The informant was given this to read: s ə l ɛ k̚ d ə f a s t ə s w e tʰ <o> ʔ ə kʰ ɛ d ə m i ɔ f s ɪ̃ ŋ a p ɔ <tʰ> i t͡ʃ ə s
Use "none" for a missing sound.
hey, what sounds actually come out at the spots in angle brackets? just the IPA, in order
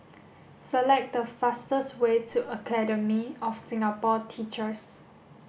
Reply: u, tʰ

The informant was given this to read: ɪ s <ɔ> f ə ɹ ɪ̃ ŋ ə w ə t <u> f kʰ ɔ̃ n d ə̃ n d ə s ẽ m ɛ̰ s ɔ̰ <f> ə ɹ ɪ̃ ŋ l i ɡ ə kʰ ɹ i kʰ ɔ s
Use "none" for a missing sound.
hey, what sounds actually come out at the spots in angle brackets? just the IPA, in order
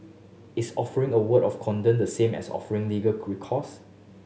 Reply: ɔ, ɔ, f

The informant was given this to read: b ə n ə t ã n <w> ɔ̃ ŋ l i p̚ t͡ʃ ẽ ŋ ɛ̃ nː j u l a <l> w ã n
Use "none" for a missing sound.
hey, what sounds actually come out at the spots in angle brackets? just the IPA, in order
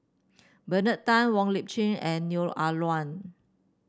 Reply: w, l

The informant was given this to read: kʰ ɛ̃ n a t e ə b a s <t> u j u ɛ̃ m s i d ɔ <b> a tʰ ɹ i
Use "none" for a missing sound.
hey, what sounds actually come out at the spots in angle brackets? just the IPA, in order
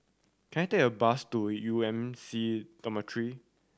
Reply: t, m

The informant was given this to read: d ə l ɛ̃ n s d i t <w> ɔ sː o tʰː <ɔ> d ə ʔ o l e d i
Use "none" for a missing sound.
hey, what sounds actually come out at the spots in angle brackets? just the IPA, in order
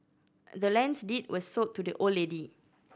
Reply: w, u

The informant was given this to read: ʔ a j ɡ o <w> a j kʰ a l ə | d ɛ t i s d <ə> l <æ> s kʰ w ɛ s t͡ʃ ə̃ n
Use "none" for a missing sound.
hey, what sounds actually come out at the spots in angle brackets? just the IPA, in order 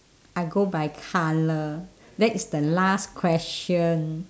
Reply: b, ə, a

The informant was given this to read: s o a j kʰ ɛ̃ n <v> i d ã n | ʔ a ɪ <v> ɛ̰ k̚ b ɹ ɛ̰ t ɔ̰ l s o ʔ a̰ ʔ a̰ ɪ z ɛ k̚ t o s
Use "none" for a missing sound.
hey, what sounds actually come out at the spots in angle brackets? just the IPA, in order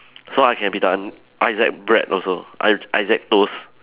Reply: b, z

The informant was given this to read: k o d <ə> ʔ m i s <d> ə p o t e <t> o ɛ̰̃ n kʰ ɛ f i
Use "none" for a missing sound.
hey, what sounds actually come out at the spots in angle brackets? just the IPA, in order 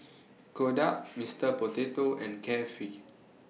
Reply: a, t, t

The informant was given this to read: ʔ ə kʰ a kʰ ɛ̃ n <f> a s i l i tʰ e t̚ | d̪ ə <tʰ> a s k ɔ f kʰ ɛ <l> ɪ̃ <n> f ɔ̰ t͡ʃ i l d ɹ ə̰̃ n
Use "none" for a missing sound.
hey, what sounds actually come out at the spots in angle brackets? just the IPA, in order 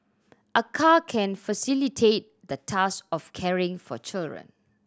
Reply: f, tʰ, ɹ, ŋ

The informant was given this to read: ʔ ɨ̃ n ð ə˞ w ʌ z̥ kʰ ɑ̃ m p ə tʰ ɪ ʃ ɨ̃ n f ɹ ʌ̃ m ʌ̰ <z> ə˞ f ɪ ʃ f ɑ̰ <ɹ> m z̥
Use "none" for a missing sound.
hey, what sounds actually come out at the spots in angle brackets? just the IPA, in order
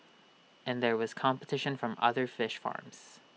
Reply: ð, ɹ

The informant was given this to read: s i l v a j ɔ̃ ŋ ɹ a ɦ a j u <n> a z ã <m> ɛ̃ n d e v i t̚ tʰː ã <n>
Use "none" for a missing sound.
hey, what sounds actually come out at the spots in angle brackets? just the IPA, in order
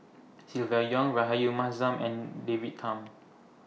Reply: m, m, m

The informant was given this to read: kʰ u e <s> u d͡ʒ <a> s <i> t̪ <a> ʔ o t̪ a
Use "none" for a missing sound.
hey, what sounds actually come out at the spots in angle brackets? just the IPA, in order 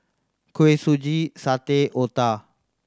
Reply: s, i, a, e

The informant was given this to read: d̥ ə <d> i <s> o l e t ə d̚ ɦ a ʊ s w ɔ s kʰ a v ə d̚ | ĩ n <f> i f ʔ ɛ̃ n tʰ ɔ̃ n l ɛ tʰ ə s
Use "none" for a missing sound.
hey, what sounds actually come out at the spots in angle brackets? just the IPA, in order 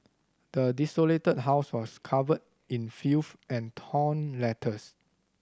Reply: d, s, f

